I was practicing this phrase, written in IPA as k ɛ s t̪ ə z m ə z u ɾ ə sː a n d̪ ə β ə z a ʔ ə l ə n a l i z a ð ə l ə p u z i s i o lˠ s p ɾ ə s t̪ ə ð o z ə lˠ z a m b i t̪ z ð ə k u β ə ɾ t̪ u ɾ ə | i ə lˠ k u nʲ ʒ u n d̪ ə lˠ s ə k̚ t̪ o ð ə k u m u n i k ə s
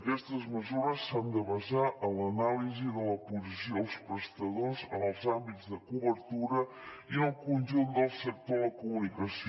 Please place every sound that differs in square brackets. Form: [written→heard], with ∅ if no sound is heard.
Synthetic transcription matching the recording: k ɛ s t̪ ə z m ə z u ɾ ə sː a n d̪ ə β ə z a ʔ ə l ə n a l i z [a→i] ð ə l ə p u z i s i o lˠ s p ɾ ə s t̪ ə ð o z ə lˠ z a m b i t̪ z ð ə k u β ə ɾ t̪ u ɾ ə | i ə lˠ k u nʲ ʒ u n d̪ ə lˠ s ə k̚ t̪ o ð ə k u m u n i k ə s